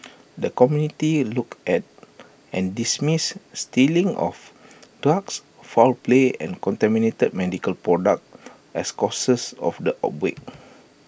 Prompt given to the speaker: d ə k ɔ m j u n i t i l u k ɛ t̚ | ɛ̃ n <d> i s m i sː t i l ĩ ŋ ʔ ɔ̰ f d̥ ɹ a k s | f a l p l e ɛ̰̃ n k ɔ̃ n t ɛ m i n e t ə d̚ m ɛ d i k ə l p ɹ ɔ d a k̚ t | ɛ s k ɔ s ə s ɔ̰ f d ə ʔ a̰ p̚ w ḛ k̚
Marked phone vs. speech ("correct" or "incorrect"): correct